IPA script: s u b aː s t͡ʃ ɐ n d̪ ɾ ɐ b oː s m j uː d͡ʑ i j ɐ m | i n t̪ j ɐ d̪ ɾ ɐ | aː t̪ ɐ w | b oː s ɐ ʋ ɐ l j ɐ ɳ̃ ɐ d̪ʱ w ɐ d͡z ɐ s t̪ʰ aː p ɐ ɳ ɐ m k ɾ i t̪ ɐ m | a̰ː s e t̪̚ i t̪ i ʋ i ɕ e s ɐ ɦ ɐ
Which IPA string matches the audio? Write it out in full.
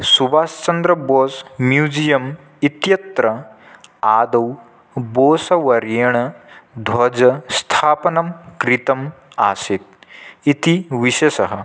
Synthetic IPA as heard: s u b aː s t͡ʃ ɐ n d̪ ɾ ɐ b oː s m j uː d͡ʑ i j ɐ m | i t̪ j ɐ t̪ ɾ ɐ | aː d̪ ɐ w | b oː s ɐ ʋ ɐ ɾ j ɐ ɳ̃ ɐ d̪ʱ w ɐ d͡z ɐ s t̪ʰ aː p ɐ n ɐ m k ɾ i t̪ ɐ m | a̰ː s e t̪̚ i t̪ i ʋ i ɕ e s ɐ ɦ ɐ